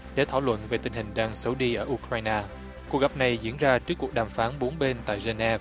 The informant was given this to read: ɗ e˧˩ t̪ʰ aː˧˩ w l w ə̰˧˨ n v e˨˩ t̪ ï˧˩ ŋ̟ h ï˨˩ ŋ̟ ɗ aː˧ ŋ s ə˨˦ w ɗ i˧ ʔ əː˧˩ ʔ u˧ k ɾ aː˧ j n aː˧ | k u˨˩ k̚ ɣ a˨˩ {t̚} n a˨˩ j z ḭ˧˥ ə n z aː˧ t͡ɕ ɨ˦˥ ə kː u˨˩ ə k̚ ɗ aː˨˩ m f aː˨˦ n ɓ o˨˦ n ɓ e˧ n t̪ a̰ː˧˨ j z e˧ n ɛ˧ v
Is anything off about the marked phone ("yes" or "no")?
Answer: yes